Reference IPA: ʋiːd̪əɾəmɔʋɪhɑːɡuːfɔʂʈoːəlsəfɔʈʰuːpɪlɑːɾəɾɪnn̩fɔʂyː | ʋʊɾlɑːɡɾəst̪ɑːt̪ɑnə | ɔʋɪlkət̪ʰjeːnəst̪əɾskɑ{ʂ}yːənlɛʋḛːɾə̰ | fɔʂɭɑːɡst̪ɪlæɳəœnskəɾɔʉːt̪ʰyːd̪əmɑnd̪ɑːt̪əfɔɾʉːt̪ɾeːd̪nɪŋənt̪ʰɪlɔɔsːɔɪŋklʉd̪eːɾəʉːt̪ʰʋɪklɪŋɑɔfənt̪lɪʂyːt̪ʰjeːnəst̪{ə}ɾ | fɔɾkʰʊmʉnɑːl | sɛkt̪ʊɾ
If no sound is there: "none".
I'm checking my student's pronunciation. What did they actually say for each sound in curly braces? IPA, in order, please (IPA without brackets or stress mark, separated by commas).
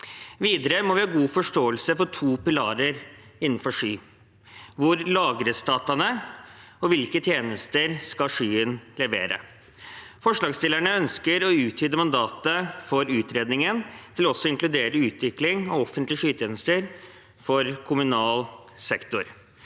ʂ, ə